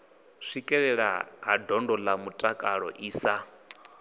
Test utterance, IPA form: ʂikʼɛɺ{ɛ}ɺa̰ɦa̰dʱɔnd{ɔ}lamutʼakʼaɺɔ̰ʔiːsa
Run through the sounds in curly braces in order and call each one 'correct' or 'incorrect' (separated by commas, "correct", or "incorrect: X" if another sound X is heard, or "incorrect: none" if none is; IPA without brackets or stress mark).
correct, correct